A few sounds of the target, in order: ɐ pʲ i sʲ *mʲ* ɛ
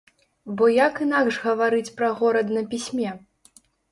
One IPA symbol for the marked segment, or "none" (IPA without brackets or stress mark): mʲ